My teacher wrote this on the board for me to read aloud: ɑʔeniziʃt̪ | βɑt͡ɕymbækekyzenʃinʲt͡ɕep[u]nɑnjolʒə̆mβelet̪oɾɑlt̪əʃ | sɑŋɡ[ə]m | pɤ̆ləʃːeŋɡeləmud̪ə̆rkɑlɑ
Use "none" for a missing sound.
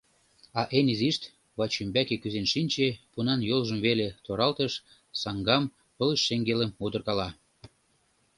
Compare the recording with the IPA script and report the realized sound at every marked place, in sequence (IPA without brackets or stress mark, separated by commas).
u, ɑ